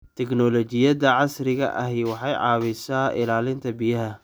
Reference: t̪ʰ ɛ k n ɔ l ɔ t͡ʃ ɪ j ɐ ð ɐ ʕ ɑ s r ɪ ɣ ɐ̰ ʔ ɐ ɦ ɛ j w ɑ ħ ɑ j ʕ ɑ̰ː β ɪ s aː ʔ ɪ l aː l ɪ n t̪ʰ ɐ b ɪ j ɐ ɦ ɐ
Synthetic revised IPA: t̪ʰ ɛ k n ɔ l ɔ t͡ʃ ɪ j ɐ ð ɐ ʕ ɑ s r ɪ ɣ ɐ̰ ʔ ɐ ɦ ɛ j w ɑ ħ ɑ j ʕ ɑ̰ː β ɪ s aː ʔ ɪ l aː l ɪ n t̪ʰ ɐ b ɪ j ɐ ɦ ɐ